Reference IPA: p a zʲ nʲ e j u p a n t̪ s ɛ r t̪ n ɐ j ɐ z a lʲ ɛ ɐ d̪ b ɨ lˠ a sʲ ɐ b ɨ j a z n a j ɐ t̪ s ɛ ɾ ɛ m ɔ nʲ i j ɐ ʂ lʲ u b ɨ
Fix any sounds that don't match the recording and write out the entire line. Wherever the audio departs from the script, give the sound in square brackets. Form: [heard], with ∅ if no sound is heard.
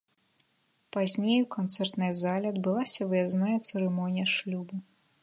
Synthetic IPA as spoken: p a zʲ nʲ e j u [k] a n t̪ s ɛ r t̪ n ɐ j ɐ z a lʲ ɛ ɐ d̪ b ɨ lˠ a sʲ ɐ [v] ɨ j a z n a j ɐ t̪ s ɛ ɾ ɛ m ɔ nʲ i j ɐ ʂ lʲ u b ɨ